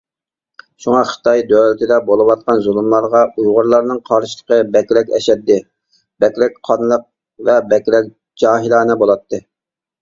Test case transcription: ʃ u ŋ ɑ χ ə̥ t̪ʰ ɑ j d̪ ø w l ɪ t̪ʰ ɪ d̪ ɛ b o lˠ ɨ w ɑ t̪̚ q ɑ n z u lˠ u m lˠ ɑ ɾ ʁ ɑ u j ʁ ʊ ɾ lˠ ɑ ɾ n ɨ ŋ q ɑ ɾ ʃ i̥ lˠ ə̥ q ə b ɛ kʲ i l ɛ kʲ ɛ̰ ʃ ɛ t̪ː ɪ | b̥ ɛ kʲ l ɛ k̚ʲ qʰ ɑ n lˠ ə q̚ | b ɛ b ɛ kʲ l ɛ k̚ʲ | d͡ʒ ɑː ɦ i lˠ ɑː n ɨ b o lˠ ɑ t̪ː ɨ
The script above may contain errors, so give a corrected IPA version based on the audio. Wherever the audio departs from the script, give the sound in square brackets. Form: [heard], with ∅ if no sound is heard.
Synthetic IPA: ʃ u ŋ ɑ χ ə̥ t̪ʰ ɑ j d̪ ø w l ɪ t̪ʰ ɪ d̪ ɛ b o lˠ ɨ w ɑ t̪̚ q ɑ n z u lˠ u m lˠ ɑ ɾ ʁ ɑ u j ʁ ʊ ɾ lˠ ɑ ɾ n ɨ ŋ [qʰ] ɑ ɾ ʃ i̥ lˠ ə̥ q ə b ɛ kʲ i l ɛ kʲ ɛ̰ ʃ ɛ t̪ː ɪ | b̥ ɛ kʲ l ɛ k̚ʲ qʰ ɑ n lˠ ə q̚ | [v] ɛ b ɛ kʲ l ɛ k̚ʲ | d͡ʒ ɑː ɦ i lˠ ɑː n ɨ b o lˠ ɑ t̪ː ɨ